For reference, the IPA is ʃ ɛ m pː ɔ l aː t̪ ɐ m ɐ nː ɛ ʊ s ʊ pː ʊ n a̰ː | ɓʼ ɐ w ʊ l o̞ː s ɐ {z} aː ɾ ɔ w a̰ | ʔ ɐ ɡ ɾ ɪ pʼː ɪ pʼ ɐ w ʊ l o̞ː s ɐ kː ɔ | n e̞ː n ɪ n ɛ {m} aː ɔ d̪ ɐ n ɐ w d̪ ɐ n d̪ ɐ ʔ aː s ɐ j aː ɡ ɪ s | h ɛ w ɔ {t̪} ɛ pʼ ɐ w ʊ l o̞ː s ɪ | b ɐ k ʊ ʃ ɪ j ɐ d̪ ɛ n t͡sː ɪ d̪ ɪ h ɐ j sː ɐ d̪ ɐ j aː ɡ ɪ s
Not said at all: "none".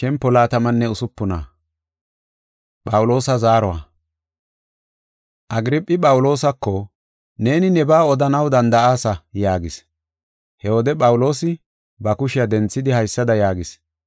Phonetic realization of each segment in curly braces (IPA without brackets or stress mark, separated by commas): z, b, d̪